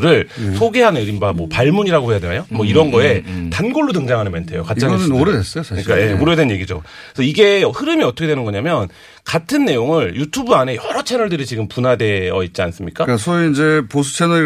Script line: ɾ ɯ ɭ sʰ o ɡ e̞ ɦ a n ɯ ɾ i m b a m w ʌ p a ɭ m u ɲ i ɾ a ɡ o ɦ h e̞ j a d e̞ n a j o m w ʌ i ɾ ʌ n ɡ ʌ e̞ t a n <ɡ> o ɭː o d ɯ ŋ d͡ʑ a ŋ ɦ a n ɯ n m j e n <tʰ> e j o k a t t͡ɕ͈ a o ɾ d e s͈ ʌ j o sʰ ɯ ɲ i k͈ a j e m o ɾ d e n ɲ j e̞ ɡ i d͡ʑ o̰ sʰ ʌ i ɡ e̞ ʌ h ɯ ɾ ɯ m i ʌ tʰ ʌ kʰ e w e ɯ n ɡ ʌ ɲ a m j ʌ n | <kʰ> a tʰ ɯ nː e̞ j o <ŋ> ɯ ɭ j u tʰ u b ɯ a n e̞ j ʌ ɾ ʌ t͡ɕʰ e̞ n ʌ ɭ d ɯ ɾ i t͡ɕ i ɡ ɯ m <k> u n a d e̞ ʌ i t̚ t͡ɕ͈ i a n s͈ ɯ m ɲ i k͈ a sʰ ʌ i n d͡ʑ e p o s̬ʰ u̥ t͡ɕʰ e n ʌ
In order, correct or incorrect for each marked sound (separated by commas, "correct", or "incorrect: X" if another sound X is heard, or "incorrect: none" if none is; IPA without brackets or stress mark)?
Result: correct, correct, incorrect: k, correct, incorrect: p